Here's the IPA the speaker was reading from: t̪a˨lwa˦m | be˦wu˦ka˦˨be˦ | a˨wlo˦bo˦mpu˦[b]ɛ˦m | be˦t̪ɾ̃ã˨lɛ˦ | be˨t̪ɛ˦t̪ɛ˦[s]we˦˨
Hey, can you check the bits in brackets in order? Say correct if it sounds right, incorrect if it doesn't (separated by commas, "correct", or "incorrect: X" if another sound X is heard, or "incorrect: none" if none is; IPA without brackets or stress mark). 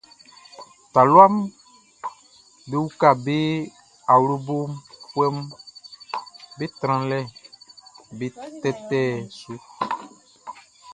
incorrect: none, correct